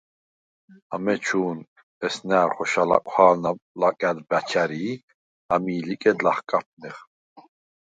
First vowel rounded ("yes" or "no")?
no